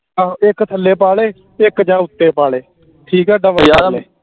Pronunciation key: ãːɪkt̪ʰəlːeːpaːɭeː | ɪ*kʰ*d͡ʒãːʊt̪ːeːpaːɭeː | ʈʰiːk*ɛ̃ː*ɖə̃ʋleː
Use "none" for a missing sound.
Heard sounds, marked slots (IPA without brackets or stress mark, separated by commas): k, ɛː